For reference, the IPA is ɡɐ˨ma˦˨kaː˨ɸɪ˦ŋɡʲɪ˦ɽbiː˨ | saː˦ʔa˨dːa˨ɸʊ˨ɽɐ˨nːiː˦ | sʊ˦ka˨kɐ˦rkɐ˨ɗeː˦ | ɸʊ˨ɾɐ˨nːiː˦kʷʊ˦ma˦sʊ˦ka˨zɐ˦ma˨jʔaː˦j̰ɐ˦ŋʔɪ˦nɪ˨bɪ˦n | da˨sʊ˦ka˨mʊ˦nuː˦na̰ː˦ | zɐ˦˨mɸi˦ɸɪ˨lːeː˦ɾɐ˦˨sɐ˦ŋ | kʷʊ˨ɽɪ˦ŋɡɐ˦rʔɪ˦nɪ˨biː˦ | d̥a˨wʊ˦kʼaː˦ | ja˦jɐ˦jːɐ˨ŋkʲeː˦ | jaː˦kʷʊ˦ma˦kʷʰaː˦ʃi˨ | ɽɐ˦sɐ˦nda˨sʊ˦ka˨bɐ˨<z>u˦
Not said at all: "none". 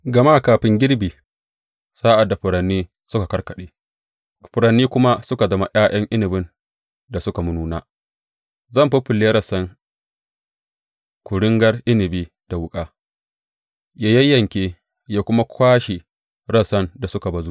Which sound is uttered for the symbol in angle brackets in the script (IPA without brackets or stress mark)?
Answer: z